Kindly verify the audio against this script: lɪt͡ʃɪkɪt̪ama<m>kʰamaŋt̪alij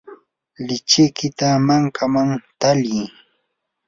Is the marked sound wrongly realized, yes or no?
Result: yes